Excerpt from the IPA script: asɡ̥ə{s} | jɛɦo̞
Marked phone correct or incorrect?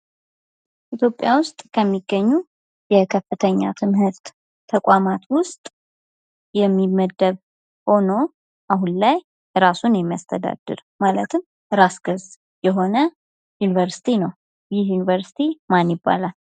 incorrect: z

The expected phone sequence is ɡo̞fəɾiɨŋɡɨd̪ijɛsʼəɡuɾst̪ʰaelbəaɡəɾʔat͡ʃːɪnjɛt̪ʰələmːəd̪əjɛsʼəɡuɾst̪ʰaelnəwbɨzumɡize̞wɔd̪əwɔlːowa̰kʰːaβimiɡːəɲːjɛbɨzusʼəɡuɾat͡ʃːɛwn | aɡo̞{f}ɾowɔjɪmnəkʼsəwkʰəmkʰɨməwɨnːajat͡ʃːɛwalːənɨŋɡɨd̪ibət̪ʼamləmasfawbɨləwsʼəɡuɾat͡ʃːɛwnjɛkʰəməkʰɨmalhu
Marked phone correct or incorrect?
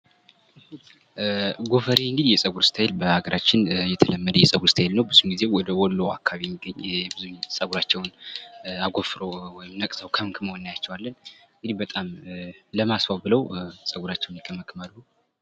correct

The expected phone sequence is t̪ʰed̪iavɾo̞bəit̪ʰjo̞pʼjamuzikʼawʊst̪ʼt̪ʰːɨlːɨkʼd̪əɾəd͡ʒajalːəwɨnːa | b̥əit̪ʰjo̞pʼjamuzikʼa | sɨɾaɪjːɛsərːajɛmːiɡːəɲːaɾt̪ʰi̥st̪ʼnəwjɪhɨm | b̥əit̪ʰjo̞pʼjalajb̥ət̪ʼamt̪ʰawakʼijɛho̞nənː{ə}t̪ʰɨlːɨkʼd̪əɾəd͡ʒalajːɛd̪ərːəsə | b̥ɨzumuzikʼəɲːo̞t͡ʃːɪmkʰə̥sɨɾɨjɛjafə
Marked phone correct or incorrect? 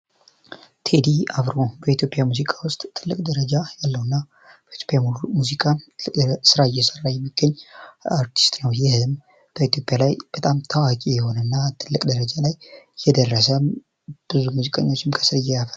incorrect: a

